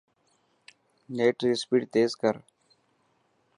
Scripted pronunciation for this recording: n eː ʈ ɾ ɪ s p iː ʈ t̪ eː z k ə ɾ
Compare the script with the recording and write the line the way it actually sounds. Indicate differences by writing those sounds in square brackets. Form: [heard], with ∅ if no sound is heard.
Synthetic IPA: n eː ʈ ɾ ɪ s p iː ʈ t̪ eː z k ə ɾ